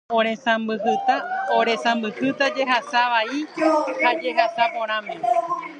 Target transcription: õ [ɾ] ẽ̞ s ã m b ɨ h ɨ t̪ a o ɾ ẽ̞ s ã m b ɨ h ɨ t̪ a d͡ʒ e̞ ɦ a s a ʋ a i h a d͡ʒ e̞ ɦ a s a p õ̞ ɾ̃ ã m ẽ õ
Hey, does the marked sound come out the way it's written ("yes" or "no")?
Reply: yes